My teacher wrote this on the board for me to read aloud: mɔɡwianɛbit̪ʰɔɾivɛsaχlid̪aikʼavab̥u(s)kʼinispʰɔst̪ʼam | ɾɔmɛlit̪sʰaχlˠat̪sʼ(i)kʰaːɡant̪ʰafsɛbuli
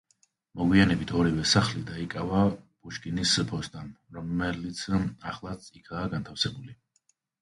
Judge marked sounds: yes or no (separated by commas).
no, yes